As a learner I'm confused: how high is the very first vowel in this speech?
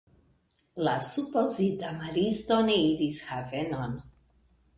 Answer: low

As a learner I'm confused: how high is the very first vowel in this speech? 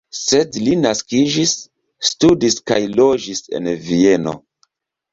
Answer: mid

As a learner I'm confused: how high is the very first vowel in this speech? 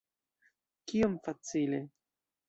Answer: high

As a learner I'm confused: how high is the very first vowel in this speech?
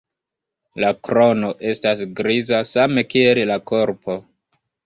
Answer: low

